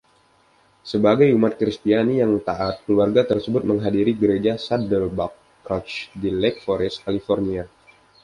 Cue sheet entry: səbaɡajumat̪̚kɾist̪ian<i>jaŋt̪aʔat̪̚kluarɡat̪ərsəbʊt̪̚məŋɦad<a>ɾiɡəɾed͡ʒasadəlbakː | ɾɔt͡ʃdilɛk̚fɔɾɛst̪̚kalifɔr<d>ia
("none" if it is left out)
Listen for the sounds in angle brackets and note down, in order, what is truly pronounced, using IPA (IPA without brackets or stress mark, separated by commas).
i, i, n